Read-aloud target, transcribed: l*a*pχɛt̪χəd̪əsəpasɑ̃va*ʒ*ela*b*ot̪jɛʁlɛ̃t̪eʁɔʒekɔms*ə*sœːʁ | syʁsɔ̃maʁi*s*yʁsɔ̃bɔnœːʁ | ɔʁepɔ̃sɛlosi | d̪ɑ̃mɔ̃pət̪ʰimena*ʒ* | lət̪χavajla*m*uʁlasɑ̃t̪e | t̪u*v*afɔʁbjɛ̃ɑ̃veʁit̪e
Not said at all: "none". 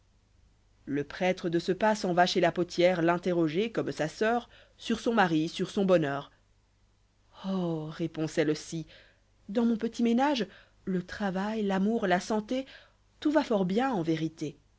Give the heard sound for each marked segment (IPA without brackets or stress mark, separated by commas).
ə, ʃ, p, a, s, ʒ, m, v